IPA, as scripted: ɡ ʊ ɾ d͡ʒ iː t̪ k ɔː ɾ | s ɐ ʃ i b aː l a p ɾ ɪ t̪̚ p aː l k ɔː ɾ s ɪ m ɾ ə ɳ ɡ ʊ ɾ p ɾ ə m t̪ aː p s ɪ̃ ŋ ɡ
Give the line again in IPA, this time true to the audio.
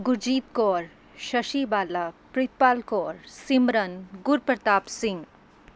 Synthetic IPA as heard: ɡ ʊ ɾ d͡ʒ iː t̪ k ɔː ɾ | ʃ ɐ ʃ i b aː l a p ɾ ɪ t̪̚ p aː l k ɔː ɾ s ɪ m ɾ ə n ɡ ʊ ɾ p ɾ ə t̪ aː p s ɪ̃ ŋ ɡ